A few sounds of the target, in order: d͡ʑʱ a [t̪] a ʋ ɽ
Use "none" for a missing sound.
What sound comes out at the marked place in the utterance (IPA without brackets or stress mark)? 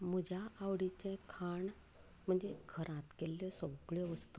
none